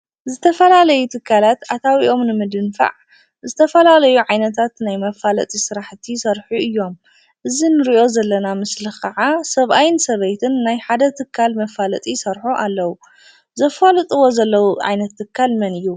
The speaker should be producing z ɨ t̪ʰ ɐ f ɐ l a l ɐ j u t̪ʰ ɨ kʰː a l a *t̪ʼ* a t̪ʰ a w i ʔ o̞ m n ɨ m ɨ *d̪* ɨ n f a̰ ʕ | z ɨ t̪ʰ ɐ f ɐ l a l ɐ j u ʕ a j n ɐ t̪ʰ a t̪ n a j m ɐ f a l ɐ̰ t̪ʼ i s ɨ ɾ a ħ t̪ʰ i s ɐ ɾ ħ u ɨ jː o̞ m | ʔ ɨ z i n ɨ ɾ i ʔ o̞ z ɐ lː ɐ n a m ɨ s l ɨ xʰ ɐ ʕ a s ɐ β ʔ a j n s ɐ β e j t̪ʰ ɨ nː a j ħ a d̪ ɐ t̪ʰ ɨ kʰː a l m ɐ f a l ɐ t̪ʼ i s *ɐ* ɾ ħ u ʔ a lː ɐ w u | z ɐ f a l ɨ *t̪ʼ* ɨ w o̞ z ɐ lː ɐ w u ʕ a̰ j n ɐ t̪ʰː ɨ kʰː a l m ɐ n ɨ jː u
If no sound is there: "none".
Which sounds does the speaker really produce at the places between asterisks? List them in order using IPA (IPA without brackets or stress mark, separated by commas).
t̪, d̪, ɐ, t̪ʼ